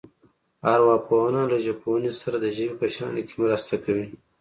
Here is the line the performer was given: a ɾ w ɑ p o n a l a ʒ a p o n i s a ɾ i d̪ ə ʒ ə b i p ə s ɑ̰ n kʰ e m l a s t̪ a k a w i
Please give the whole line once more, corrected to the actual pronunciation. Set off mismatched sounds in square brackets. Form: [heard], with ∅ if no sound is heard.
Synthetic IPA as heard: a ɾ w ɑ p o n a l a ʒ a p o n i s a ɾ [a] d̪ ə ʒ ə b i p ə [ʃ] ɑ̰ n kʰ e m [ɾ] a s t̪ a k a w i